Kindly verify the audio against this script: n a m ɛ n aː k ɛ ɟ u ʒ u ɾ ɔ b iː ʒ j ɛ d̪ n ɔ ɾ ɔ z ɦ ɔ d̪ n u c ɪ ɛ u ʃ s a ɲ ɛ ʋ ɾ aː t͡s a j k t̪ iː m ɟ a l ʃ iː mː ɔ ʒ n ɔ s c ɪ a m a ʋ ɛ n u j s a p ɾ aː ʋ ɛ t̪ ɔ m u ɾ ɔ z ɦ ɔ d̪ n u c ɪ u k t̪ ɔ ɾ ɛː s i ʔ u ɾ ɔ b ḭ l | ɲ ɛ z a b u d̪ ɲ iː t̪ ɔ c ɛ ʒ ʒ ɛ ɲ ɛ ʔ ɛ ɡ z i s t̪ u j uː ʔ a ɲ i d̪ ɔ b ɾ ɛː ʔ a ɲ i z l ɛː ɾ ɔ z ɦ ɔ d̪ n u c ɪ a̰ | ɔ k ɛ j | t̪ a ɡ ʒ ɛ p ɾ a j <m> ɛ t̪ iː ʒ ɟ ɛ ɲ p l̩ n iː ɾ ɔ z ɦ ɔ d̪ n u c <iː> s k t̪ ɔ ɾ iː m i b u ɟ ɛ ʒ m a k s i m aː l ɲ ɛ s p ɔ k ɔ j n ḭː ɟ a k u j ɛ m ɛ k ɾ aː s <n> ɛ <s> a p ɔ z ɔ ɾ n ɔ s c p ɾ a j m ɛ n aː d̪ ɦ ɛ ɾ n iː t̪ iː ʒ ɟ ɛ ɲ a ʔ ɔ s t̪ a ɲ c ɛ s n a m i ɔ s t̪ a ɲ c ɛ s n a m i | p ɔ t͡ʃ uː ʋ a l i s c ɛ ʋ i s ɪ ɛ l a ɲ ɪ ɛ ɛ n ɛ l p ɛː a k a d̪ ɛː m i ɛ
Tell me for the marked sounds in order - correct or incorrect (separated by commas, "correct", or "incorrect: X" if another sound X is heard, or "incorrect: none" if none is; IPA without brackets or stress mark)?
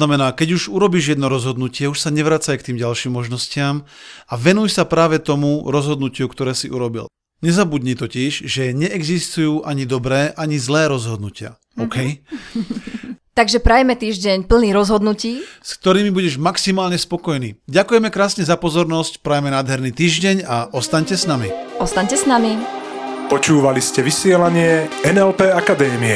correct, correct, incorrect: ɲ, incorrect: z